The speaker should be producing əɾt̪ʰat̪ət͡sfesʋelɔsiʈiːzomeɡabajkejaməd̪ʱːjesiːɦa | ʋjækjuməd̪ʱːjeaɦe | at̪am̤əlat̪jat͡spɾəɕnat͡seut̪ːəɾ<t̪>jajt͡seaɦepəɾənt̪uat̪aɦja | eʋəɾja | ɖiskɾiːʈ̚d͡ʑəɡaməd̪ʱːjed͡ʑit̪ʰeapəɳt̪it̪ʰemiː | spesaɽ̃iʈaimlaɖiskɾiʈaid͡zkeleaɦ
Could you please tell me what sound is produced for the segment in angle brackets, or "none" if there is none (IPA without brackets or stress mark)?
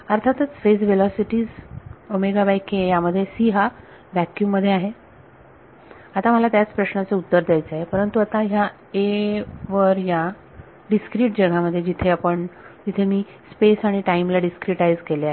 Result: d̪